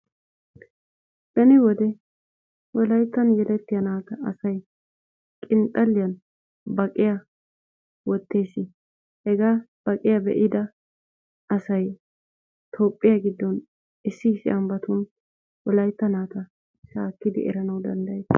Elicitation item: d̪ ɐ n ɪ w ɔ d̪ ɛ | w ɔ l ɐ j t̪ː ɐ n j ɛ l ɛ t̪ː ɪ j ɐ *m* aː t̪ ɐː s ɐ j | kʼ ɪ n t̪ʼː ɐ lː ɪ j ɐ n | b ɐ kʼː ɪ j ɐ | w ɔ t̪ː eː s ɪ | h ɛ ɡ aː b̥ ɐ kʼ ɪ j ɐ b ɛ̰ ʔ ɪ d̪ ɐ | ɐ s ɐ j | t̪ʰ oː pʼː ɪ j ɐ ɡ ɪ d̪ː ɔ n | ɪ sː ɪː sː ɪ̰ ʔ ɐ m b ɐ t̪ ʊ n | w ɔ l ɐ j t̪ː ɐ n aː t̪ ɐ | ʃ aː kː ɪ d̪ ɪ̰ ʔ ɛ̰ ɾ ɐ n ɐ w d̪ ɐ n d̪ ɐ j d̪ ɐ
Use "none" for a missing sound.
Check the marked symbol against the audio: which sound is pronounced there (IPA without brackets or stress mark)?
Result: n